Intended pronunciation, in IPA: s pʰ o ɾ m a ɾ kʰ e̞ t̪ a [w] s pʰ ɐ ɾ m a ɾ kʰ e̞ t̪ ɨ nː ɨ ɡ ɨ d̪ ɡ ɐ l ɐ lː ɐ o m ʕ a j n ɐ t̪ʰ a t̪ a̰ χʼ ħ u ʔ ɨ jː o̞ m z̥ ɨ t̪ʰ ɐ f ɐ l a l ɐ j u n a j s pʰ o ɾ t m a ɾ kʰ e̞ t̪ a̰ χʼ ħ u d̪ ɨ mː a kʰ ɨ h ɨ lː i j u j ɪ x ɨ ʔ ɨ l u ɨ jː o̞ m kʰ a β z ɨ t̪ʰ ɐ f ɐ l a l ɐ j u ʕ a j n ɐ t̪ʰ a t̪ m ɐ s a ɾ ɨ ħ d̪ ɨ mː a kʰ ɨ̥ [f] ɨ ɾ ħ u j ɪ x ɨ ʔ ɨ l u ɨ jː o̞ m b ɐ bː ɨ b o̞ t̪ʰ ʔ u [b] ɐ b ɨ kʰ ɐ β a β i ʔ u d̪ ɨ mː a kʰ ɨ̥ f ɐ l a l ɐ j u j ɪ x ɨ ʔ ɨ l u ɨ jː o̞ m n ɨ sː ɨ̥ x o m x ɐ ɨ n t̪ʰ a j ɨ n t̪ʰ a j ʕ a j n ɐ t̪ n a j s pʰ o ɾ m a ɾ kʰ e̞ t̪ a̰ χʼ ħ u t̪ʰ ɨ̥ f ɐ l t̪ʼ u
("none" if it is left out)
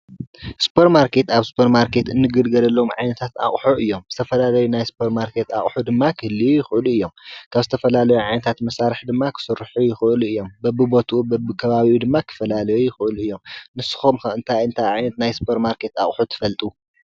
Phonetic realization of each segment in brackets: β, s, b

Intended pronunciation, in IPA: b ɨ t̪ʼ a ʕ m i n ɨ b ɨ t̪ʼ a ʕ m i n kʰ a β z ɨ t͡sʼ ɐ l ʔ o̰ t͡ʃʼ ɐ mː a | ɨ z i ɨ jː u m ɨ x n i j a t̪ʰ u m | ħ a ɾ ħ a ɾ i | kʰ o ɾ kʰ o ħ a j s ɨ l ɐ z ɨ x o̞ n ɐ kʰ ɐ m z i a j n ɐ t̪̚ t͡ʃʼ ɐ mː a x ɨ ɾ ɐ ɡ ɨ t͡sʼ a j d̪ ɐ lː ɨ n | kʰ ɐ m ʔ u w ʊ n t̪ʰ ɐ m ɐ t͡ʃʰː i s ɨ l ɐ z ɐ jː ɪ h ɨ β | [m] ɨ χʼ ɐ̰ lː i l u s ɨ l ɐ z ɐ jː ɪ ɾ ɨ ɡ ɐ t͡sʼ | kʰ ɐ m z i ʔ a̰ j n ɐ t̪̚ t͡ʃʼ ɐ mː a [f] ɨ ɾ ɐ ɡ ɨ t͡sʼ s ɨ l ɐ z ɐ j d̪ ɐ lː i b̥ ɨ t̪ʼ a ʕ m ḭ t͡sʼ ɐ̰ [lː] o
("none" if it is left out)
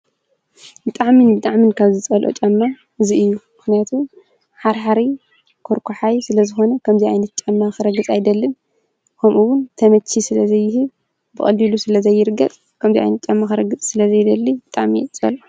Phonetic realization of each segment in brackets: b, x, l

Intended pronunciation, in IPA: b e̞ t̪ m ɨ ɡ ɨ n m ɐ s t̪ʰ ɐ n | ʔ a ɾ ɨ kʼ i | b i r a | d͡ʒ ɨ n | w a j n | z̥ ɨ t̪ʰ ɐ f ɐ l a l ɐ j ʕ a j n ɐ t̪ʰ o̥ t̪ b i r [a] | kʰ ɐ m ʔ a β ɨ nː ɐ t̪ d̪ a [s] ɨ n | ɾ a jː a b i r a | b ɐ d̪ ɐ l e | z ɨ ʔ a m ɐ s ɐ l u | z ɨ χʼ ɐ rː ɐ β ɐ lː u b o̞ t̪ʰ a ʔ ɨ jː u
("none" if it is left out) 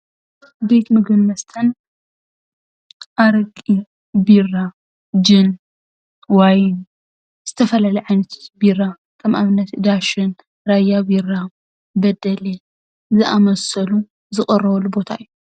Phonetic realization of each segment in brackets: a, ʃ

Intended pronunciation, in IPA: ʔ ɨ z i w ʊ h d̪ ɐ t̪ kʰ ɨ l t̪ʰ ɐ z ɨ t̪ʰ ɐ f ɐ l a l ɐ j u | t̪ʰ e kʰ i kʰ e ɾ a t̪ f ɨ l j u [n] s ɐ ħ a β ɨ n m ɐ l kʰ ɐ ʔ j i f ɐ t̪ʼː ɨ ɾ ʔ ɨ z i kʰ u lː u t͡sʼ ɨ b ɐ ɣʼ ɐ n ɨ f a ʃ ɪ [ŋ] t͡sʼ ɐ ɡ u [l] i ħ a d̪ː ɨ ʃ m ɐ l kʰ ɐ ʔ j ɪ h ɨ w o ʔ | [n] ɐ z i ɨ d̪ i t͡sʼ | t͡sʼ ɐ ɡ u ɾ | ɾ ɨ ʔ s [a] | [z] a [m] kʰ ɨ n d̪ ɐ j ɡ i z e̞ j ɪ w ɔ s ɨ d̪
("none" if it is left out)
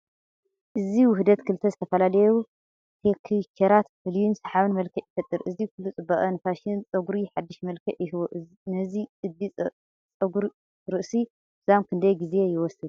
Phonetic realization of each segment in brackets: n, n, ɾ, n, i, z, m

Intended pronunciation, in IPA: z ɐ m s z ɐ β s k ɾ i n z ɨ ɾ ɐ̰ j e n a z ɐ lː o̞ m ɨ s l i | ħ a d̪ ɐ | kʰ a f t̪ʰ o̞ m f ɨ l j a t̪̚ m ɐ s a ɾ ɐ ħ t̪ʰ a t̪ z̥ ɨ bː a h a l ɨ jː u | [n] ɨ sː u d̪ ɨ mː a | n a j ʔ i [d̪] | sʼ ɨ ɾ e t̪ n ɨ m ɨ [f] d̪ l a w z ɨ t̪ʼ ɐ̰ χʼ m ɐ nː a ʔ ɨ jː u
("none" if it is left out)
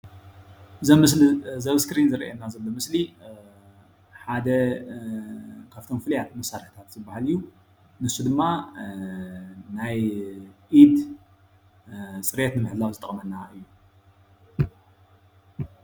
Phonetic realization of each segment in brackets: n, d̪, ħ

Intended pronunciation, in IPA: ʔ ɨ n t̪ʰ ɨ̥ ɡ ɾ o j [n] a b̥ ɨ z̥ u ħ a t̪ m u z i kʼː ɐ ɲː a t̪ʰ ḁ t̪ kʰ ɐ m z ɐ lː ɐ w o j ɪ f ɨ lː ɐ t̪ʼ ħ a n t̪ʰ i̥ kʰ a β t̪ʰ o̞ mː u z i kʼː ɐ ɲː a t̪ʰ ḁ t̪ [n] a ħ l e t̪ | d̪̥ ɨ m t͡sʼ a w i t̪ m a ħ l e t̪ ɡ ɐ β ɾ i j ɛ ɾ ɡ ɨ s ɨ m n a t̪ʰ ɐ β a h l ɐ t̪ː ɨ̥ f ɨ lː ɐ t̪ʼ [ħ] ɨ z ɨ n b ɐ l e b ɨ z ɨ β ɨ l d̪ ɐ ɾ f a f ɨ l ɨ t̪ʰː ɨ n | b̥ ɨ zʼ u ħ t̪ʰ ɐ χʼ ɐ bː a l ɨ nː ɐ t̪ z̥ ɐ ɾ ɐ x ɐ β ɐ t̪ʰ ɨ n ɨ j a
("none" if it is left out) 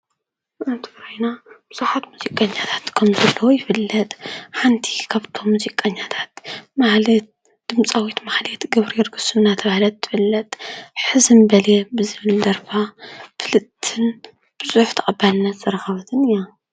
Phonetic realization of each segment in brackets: n, m, ħ

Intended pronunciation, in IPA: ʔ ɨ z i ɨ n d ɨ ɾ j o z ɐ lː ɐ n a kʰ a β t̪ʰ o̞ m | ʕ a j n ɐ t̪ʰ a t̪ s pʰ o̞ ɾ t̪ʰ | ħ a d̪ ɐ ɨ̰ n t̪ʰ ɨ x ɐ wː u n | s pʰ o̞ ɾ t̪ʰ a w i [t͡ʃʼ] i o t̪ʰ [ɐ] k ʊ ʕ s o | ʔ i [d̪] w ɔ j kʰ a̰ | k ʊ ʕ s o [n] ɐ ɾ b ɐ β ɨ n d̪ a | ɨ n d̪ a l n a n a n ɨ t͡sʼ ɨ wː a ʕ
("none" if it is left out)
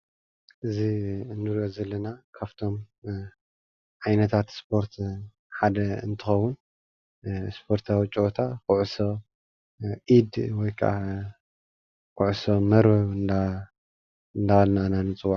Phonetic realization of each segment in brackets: t͡ʃʼ, a, d̪, m

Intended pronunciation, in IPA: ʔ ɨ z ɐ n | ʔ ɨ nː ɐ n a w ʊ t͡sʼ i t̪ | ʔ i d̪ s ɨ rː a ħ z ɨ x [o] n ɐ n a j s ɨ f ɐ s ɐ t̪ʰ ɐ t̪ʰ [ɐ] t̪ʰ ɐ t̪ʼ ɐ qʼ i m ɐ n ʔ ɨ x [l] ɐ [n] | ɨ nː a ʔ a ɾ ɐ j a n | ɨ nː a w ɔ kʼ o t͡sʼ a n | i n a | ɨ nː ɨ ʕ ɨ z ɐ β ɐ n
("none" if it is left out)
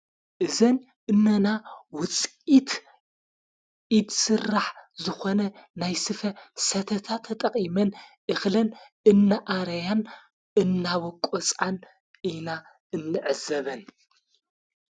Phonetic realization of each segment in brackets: o, a, l, n

